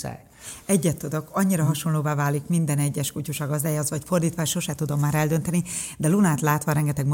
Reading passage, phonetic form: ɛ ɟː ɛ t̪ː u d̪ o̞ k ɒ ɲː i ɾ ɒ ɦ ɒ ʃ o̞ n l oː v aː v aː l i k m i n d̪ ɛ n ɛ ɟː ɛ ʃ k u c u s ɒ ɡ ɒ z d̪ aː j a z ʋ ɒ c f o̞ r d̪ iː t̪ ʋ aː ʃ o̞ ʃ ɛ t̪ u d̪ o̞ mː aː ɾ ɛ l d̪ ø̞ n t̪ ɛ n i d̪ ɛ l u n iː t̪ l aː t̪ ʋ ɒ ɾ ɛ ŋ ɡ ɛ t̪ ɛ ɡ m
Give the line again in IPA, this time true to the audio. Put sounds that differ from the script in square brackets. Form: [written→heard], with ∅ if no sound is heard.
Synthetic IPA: ɛ ɟː ɛ t̪ː u d̪ o̞ k ɒ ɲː i ɾ ɒ ɦ ɒ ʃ o̞ n l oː v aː v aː l i k m i n d̪ ɛ n ɛ ɟː ɛ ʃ k u c u [s→ʃ] ɒ ɡ ɒ z d̪ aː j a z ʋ ɒ c f o̞ r d̪ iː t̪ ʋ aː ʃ o̞ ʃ ɛ t̪ u d̪ o̞ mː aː ɾ ɛ l d̪ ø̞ n t̪ ɛ n i d̪ ɛ l u n [iː→aː] t̪ l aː t̪ ʋ ɒ ɾ ɛ ŋ ɡ ɛ t̪ ɛ ɡ m